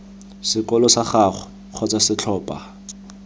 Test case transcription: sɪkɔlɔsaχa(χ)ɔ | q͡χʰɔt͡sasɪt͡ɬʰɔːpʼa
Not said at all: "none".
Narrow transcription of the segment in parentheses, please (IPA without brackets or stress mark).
χ